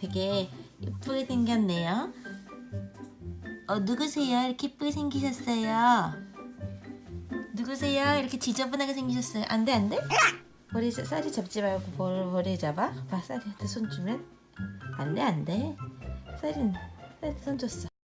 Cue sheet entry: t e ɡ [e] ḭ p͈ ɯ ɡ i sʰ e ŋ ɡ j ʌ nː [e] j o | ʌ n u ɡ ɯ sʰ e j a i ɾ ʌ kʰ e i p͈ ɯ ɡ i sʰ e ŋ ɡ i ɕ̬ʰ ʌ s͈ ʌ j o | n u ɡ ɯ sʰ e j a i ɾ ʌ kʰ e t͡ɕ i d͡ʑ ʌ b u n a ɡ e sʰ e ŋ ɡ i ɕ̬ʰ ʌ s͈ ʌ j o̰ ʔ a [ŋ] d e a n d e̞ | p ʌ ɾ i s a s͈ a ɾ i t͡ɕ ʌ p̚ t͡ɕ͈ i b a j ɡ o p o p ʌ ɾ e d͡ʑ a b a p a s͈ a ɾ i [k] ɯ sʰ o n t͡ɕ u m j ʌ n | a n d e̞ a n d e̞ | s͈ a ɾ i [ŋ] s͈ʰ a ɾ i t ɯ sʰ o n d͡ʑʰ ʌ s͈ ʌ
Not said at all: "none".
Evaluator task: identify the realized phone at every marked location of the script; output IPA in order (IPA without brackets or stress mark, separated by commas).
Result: e, e, n, t, n